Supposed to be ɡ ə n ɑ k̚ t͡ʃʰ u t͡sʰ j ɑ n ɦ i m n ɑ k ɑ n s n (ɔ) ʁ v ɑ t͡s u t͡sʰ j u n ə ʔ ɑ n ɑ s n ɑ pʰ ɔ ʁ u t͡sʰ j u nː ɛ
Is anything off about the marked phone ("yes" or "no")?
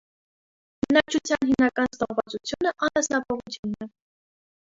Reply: no